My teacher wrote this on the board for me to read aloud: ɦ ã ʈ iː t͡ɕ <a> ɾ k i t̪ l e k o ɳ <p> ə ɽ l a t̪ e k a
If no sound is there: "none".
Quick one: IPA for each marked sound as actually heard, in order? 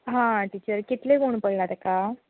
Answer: ə, p

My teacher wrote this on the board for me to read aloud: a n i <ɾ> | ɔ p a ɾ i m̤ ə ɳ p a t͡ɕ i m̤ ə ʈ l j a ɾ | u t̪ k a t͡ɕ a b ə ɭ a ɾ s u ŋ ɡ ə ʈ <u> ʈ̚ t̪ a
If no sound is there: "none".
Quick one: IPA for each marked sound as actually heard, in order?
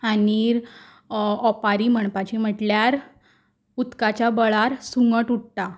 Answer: ɾ, u

